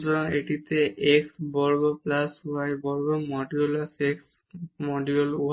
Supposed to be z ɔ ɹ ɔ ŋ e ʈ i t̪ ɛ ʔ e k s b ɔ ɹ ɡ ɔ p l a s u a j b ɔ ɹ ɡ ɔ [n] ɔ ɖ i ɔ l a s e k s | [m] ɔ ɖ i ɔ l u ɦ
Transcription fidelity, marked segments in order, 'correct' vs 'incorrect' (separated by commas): incorrect, correct